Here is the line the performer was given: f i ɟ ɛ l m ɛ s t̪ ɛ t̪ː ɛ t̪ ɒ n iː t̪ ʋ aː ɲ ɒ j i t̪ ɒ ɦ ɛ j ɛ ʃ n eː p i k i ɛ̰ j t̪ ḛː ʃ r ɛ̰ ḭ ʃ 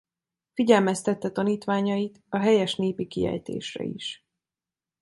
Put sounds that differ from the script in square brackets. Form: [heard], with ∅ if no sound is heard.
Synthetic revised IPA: f i ɟ ɛ l m ɛ s t̪ ɛ t̪ː ɛ t̪ ɒ n iː t̪ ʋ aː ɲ ɒ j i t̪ ɒ ɦ ɛ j ɛ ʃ n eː p i k i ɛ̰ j t̪ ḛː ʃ r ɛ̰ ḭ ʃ